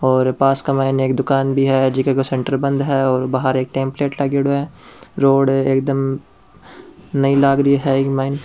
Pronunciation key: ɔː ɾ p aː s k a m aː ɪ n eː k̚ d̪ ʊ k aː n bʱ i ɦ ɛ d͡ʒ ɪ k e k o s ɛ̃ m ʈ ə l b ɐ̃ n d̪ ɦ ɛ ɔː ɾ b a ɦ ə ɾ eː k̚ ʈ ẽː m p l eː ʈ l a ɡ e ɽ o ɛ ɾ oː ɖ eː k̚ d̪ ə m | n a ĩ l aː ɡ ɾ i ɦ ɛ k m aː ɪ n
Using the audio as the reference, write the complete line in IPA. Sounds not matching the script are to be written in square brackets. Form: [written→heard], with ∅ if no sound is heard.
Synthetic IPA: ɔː ɾ p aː s k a m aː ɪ n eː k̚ d̪ ʊ k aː n bʱ i ɦ ɛ d͡ʒ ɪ k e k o s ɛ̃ [m→ɳ] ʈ ə [l→ɾ] b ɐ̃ n d̪ ɦ ɛ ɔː ɾ b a ɦ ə ɾ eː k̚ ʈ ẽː m p l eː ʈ l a ɡ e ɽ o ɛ ɾ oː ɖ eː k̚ d̪ ə m | n [a→ɐ] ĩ l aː ɡ ɾ i ɦ ɛ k m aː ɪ n